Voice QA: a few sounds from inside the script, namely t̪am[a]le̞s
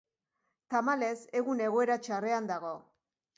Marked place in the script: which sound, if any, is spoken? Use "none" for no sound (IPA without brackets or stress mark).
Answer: a